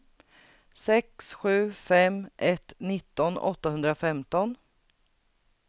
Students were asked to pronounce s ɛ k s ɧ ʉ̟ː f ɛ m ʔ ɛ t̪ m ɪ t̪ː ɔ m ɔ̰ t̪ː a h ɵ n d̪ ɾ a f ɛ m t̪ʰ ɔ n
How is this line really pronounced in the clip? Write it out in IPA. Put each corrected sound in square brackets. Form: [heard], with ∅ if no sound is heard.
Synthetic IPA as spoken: s ɛ k s ɧ ʉ̟ː f ɛ m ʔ ɛ t̪ [n] ɪ t̪ː ɔ [n] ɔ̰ t̪ː a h ɵ n d̪ ɾ a f ɛ m [t̪] ɔ n